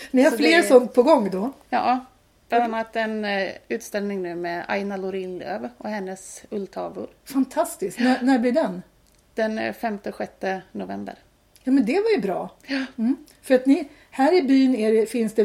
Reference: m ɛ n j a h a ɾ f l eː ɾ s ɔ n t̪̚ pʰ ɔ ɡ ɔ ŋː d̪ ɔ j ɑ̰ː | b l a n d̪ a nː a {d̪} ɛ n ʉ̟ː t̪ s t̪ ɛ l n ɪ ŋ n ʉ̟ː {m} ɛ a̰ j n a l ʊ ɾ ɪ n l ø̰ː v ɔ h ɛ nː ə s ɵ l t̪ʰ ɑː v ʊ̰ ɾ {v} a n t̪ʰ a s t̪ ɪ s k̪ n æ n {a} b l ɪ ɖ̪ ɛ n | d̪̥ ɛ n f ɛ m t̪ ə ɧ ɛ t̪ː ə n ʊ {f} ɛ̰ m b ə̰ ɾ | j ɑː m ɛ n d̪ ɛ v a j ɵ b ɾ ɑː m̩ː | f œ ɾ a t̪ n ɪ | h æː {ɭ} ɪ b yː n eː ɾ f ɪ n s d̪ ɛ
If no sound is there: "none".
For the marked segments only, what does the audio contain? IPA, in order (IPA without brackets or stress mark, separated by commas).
t̪, m, f, æ, v, ɾ